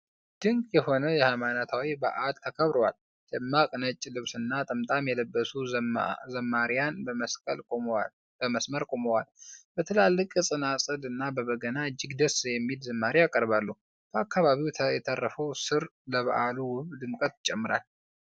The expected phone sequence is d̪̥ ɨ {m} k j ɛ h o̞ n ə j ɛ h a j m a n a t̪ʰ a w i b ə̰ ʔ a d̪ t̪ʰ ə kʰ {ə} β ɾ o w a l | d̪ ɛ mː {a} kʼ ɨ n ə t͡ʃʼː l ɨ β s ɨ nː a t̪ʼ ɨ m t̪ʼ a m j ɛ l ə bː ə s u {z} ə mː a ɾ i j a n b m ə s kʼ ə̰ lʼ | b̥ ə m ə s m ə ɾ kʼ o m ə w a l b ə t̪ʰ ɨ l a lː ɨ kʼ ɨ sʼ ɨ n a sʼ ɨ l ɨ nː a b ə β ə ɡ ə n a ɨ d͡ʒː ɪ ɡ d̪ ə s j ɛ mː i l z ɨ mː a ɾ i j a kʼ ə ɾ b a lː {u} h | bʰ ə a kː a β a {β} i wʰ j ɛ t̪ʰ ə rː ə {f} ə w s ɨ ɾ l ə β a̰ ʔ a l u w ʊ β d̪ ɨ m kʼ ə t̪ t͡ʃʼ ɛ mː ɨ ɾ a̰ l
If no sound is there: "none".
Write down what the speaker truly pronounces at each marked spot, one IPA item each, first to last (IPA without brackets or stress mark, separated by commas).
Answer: ŋ, ə, a, z, u, β, f